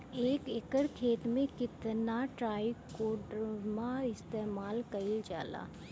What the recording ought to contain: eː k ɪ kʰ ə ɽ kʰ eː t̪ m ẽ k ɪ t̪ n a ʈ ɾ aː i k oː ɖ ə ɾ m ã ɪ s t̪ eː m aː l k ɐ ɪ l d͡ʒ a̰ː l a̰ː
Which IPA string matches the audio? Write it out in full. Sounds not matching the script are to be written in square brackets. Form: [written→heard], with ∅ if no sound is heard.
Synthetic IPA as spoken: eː k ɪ [kʰ→k] ə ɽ kʰ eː t̪ m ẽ k ɪ t̪ n a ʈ ɾ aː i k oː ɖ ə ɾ m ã ɪ s t̪ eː m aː l k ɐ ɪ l d͡ʒ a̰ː l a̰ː